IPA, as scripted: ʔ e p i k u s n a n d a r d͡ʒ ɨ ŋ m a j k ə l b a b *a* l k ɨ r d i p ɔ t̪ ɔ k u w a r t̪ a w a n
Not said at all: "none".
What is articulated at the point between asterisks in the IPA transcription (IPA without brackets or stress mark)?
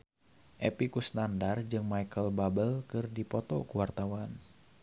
ə